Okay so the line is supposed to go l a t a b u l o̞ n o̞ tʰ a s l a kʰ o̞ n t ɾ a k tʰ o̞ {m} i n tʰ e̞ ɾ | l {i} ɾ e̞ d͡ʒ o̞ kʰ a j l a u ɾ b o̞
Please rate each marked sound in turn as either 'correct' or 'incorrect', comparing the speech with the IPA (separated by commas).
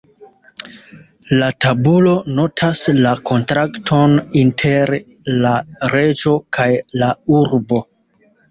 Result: incorrect, incorrect